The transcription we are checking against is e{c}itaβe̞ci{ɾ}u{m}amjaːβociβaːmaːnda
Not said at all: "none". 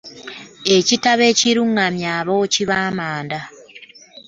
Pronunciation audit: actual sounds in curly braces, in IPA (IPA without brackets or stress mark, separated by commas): c, ɾ, ŋ